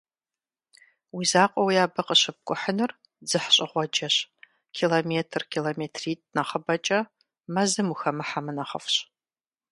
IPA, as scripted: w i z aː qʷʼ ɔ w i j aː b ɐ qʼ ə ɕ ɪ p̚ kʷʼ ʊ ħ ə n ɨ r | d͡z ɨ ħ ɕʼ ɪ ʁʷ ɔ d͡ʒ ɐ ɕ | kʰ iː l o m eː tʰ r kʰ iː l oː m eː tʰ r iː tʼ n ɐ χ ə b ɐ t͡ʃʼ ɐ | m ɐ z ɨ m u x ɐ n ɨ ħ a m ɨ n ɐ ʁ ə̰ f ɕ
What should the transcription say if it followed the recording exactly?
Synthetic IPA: w i z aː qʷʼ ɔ w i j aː b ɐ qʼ ə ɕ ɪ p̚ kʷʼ ʊ ħ ə n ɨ r | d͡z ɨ ħ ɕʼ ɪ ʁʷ ɔ d͡ʒ ɐ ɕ | kʰ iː l o m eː tʰ r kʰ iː l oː m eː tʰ r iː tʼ n ɐ χ ə b ɐ t͡ʃʼ ɐ | m ɐ z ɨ m u x ɐ m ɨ ħ a m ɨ n ɐ χ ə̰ f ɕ

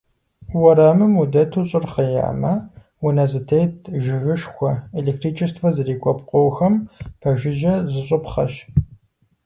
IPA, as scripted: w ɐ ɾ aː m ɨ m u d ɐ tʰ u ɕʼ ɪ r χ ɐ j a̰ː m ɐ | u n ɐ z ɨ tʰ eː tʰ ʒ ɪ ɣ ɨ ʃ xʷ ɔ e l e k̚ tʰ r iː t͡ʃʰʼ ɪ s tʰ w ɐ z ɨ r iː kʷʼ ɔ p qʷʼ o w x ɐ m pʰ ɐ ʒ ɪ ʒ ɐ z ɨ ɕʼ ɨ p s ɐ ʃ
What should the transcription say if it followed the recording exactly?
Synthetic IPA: w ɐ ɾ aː m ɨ m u d ɐ tʰ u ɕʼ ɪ r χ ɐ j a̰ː m ɐ | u n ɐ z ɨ tʰ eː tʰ ʒ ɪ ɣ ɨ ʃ xʷ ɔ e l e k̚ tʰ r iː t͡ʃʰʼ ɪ s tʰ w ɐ z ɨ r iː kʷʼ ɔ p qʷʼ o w x ɐ m pʰ ɐ ʒ ɪ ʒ ɐ z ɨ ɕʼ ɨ p χ ɐ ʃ

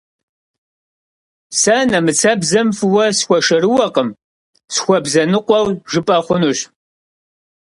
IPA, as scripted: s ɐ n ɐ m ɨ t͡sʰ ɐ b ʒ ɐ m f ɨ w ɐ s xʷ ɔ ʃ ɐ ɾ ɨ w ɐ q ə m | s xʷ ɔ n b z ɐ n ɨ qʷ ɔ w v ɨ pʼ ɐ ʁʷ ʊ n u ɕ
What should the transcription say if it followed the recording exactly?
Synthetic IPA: s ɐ n ɐ m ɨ t͡sʰ ɐ b z ɐ m f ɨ w ɐ s xʷ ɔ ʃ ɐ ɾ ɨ w ɐ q ə m | s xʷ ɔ b z ɐ n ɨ qʷ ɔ w ʒ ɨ pʼ ɐ χʷ ʊ n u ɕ

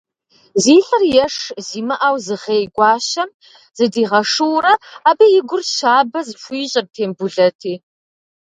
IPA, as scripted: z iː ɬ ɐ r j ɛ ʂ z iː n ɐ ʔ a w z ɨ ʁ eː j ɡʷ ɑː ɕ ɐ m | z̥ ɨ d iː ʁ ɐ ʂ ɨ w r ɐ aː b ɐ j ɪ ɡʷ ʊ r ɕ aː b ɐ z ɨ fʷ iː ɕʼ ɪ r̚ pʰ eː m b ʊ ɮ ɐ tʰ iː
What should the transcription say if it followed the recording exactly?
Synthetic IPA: z iː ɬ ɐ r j ɛ ʂ z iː m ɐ ʔ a w z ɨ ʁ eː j ɡʷ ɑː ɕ ɐ m | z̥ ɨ d iː ʁ ɐ ʂ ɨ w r ɐ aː b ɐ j ɪ ɡʷ ʊ r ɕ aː b ɐ z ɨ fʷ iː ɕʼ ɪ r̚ tʰ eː m b ʊ ɮ ɐ tʰ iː

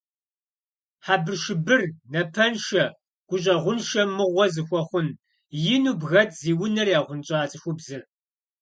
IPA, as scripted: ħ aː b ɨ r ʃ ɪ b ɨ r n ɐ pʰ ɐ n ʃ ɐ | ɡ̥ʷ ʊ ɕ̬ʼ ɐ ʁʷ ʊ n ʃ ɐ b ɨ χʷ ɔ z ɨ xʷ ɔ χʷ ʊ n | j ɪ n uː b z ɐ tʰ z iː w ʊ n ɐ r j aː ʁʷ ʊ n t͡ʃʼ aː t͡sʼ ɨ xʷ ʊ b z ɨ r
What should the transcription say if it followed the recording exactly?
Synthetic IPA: ħ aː b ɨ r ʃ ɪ b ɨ r n ɐ pʰ ɐ n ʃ ɐ | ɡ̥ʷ ʊ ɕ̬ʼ ɐ ʁʷ ʊ n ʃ ɐ m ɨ ʁʷ ɔ z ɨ xʷ ɔ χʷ ʊ n | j ɪ n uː b ɣ ɐ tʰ z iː w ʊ n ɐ r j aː ʁʷ ʊ n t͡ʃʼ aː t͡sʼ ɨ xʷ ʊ b z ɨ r

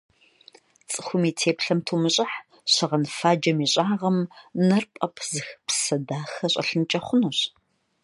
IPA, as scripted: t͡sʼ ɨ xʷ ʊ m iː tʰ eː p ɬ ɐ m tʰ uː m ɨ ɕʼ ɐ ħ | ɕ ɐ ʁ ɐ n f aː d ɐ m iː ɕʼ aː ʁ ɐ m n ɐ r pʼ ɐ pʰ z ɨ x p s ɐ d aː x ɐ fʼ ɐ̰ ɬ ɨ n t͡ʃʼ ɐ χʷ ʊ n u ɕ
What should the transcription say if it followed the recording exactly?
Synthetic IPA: t͡sʼ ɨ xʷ ʊ m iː tʰ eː p ɬ ɐ m tʰ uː m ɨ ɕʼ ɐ ħ | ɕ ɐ ʁ ɐ n f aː d͡ʒ ɐ m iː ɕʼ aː ʁ ɐ m n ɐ r pʼ ɐ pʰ z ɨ x p s ɐ d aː x ɐ ɕʼ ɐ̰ ɬ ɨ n t͡ʃʼ ɐ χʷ ʊ n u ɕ

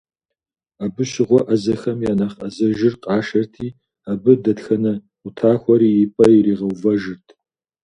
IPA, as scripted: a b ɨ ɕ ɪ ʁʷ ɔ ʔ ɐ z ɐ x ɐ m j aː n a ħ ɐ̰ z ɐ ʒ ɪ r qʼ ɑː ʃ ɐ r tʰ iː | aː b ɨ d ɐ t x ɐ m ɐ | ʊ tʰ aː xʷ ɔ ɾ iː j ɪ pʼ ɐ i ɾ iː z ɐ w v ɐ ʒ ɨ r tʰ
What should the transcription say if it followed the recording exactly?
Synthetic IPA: a b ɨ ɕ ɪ ʁʷ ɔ ʔ ɐ z ɐ x ɐ m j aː n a χ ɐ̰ z ɐ ʒ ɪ r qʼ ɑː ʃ ɐ r tʰ iː | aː b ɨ d ɐ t x ɐ n ɐ | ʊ tʰ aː xʷ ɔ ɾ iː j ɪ pʼ ɐ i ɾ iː ʁ ɐ w v ɐ ʒ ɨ r tʰ

